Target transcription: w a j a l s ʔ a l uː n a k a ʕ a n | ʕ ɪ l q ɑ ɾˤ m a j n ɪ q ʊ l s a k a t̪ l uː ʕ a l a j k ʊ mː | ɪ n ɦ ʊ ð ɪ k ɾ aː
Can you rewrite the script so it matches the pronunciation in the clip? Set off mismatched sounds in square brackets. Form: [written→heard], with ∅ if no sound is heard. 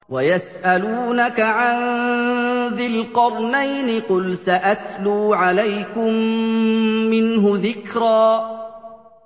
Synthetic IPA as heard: w a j a [l→∅] s ʔ a l uː n a k a ʕ a n | [ʕ→ð] ɪ l q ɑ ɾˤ [m→n] a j n ɪ q ʊ l s a [k→ʔ] a t̪ l uː ʕ a l a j k ʊ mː | ɪ n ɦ ʊ ð ɪ k ɾ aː